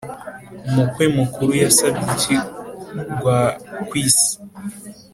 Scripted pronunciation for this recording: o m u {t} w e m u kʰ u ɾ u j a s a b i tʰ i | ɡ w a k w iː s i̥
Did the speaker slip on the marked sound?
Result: yes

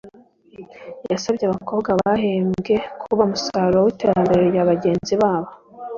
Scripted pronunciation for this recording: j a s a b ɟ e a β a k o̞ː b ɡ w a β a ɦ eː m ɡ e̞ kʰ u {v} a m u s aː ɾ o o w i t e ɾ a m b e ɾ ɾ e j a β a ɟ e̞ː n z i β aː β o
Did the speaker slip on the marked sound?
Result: yes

